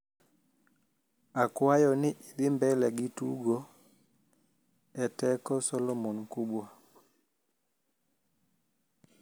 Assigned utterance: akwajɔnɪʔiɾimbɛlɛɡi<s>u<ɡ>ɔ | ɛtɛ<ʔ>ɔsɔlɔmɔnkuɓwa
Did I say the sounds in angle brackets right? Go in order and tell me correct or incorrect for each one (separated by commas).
incorrect, correct, incorrect